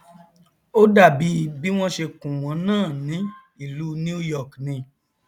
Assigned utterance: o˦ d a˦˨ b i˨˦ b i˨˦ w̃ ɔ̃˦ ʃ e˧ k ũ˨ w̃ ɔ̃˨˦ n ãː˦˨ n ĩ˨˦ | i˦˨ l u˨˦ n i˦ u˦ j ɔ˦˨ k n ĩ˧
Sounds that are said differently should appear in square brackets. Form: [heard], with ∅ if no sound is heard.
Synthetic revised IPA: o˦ d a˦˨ b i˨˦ b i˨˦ w̃ ɔ̃˦ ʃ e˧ k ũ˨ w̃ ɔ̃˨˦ n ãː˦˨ n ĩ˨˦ | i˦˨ l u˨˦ n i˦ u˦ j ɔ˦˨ k n ĩ˧